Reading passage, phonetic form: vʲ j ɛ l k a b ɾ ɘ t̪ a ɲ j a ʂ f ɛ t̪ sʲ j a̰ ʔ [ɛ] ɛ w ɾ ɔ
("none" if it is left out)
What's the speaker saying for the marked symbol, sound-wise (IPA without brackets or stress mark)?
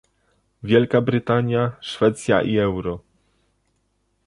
i